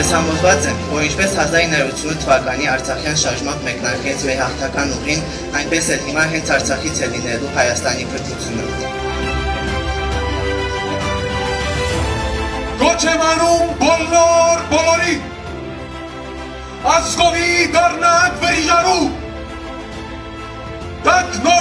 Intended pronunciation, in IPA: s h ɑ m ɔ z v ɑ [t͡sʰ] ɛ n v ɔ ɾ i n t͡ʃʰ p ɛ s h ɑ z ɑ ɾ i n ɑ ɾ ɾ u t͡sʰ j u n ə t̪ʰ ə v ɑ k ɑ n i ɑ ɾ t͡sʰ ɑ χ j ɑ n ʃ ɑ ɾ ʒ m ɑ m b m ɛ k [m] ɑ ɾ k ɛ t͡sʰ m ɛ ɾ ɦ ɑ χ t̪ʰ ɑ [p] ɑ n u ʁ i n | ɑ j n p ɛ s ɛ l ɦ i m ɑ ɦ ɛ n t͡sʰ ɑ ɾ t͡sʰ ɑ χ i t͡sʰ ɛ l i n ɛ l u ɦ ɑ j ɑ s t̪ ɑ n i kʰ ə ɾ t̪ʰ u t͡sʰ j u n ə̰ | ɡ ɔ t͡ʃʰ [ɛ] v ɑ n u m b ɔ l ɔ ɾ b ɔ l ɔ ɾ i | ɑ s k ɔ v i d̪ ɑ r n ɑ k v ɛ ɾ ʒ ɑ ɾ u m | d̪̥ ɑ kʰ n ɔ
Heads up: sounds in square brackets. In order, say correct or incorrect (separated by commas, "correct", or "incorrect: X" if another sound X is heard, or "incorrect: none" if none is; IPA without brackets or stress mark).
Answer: incorrect: t͡s, incorrect: n, incorrect: k, correct